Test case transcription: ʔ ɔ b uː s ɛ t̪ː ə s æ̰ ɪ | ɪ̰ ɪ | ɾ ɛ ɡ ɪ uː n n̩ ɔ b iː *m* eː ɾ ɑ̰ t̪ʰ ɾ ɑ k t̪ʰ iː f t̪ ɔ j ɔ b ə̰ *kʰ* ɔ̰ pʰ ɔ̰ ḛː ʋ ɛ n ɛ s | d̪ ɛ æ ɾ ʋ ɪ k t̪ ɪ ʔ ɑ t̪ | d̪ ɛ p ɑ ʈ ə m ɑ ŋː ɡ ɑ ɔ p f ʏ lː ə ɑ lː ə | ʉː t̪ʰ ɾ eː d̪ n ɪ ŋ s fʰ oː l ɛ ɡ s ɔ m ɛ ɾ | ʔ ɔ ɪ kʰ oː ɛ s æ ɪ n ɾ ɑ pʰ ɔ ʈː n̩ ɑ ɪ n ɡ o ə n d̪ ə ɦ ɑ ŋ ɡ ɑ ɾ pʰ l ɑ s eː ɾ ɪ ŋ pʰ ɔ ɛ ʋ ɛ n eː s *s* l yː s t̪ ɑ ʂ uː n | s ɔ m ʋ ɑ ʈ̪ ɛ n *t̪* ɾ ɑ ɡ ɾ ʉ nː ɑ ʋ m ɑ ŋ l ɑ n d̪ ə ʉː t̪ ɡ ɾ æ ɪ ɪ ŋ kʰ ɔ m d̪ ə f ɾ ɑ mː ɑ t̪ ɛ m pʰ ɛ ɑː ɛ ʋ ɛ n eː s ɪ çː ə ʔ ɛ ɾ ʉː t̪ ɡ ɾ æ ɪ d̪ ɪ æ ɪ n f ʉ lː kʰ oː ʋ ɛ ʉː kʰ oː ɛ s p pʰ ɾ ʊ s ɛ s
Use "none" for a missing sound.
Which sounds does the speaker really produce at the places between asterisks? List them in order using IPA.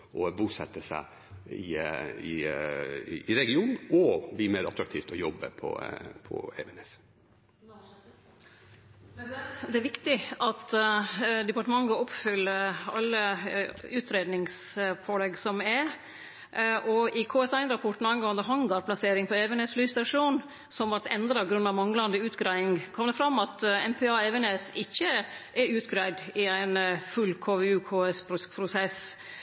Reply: m, pʰ, f, d̪

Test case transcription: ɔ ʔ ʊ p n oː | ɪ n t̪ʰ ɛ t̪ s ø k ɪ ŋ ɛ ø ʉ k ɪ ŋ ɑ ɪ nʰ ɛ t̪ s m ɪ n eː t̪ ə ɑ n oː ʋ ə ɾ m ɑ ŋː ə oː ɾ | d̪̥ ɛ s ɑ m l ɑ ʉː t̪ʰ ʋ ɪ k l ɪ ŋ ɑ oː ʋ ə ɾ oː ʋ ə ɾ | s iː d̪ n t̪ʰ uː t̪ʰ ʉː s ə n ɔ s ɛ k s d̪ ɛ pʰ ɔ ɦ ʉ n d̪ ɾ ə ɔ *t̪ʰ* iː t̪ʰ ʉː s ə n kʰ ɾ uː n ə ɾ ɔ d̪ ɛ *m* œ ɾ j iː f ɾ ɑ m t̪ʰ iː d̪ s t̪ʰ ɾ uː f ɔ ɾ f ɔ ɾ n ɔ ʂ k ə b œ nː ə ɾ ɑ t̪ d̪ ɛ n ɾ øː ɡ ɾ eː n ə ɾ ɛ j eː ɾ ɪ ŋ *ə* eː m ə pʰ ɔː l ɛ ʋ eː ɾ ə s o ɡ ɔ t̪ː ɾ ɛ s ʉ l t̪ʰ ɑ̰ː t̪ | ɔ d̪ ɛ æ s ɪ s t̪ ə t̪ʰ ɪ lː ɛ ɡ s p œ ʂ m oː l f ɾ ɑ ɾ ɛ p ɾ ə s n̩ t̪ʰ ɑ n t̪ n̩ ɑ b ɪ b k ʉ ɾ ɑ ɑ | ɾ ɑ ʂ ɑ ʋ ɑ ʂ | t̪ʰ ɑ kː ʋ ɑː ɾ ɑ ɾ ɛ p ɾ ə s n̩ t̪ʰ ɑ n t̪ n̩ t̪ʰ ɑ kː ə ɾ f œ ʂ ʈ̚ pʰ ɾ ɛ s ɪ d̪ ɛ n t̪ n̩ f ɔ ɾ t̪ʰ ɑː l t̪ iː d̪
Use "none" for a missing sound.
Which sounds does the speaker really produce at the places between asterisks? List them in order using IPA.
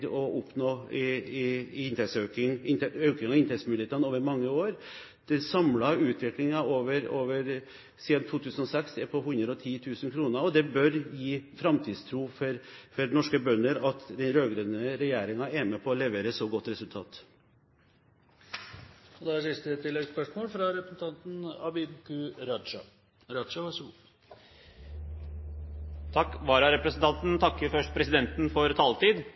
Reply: t̪ʰ, b, ɑ

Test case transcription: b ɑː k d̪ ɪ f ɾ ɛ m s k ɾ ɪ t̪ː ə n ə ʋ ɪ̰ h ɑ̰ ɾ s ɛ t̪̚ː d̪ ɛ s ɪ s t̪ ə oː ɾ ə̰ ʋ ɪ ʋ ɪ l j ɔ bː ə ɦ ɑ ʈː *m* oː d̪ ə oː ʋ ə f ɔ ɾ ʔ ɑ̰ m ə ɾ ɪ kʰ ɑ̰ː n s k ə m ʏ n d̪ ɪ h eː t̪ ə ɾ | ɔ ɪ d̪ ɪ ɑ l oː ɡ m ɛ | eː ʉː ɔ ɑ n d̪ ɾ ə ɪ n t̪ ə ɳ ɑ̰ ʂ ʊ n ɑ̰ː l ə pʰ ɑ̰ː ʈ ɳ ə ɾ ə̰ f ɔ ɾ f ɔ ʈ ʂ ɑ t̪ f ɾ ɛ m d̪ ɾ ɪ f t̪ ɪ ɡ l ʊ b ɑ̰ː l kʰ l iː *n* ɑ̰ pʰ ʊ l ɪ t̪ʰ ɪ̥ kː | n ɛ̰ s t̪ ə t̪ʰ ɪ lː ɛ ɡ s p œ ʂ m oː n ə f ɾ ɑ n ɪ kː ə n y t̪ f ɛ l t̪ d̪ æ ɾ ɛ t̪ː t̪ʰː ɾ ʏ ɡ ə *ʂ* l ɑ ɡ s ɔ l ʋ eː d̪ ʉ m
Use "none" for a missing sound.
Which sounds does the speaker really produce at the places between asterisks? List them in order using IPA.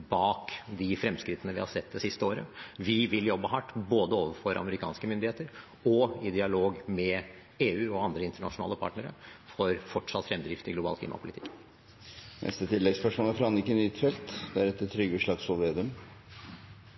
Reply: b, m, ʂ

